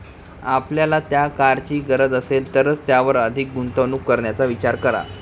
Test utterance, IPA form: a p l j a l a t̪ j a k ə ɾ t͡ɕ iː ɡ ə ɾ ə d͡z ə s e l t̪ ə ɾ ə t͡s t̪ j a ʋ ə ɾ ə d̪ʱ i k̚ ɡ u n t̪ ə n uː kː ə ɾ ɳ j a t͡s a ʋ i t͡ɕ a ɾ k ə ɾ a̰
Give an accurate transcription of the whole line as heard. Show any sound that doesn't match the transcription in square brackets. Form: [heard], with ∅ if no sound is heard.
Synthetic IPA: a p l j a l a t̪ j a k [a] ɾ t͡ɕ iː ɡ ə ɾ ə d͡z ə s e l t̪ ə ɾ ə t͡s t̪ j a ʋ ə ɾ ə d̪ʱ i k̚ ɡ u n t̪ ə n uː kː ə ɾ ɳ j a t͡s a ʋ i t͡ɕ a ɾ k ə ɾ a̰